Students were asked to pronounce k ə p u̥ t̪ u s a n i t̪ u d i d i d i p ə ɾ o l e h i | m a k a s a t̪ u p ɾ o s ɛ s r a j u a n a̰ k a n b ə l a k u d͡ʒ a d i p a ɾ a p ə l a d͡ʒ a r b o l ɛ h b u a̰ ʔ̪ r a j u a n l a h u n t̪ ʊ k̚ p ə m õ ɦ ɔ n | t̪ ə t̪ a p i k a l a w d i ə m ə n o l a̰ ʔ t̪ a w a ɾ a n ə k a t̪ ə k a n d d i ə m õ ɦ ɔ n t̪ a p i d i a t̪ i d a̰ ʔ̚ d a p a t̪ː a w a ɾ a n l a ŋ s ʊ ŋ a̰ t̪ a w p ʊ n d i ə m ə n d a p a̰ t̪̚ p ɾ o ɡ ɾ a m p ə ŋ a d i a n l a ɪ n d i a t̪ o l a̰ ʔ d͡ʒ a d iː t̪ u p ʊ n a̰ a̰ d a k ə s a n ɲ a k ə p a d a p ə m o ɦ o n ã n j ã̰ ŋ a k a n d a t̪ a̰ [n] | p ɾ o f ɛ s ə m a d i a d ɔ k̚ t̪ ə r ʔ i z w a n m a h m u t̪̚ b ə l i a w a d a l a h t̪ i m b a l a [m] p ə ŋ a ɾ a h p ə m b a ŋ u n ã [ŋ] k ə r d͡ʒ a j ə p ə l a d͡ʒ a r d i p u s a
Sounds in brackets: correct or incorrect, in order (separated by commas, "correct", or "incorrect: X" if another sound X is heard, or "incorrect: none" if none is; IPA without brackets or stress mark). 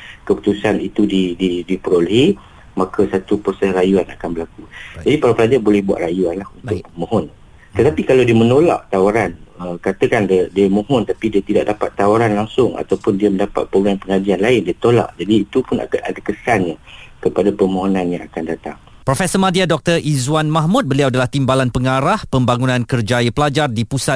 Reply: incorrect: ŋ, incorrect: n, incorrect: n